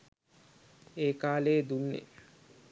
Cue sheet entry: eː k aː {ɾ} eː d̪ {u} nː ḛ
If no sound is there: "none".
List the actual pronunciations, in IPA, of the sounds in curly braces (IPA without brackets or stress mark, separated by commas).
l, u